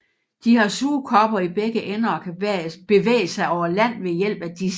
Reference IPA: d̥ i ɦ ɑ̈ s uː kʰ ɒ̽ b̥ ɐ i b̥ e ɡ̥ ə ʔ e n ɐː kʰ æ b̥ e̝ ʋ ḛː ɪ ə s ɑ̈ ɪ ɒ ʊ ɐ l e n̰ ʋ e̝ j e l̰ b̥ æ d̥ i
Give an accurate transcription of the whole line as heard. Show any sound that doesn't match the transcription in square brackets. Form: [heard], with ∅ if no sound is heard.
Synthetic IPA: d̥ i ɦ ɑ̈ s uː kʰ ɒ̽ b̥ ɐ i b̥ e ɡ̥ ə ʔ e n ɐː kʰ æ b̥ e̝ ʋ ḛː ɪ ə s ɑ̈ ɪ ɒ ʊ ɐ l [æ] n̰ ʋ e̝ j e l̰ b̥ æ d̥ i